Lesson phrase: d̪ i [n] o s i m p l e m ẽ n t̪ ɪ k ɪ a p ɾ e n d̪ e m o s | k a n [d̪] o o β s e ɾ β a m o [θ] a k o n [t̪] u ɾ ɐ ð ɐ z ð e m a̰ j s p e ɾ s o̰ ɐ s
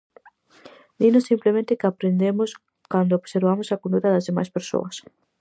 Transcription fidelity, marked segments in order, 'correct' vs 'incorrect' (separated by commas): correct, correct, incorrect, incorrect